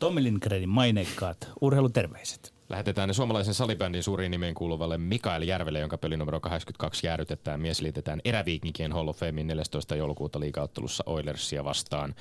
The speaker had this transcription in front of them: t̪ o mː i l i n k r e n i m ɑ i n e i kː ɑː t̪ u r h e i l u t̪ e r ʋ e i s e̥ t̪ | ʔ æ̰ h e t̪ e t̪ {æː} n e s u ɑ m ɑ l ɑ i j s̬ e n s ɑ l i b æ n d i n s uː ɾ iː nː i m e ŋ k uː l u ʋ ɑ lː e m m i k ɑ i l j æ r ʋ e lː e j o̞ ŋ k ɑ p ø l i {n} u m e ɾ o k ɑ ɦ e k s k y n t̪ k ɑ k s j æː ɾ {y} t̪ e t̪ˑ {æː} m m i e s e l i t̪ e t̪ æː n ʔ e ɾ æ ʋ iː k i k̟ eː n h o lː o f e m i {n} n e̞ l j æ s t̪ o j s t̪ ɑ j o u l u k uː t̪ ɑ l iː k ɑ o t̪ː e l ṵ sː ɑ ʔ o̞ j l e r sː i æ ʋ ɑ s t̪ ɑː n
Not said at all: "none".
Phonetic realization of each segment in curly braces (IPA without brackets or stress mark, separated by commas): æː, n, y, æː, n